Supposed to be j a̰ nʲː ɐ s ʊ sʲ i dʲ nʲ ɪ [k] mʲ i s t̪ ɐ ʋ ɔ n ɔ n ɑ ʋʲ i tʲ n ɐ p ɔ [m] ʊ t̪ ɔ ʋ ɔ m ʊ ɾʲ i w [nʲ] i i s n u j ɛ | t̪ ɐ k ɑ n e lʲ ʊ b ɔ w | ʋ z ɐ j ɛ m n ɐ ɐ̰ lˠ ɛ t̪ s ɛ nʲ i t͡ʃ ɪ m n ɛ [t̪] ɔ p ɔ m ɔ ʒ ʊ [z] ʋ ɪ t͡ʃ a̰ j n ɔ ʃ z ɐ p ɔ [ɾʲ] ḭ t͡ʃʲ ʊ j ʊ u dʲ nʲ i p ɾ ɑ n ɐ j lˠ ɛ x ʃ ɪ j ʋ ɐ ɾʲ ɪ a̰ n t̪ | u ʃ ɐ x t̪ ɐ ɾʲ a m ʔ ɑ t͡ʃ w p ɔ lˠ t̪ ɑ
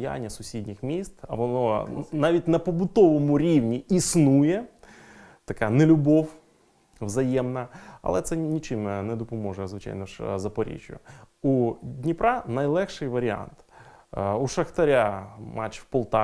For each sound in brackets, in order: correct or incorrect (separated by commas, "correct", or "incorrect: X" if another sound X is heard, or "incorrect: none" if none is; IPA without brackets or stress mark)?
incorrect: x, incorrect: b, correct, incorrect: d̪, correct, correct